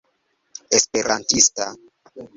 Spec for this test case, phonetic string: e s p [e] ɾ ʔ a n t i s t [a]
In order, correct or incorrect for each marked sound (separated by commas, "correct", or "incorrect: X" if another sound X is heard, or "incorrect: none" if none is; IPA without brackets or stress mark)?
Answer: correct, correct